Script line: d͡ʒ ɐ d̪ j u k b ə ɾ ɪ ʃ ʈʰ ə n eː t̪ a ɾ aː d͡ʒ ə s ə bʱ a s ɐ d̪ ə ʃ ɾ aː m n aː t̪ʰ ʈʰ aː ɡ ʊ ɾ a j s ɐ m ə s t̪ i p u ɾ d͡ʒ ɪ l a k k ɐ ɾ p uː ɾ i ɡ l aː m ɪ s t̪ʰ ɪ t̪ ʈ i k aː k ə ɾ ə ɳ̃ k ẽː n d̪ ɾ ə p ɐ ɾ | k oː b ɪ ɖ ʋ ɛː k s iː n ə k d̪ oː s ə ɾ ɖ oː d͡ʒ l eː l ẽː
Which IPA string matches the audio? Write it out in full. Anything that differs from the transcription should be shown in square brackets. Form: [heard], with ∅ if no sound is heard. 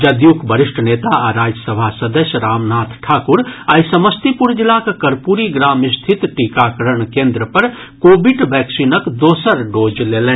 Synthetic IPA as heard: d͡ʒ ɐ d̪ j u k b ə ɾ ɪ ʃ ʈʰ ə n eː t̪ a ɾ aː d͡ʒ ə s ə bʱ a s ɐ d̪ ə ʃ ɾ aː m n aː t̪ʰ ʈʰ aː [k] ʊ ɾ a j s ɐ m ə s t̪ i p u ɾ d͡ʒ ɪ l a k k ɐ ɾ p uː ɾ i ɡ [ɾ] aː m ɪ s t̪ʰ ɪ t̪ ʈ i k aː k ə ɾ ə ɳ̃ k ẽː n d̪ ɾ ə p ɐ ɾ | k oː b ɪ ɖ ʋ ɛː k s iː n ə k d̪ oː s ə ɾ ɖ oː d͡ʒ l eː l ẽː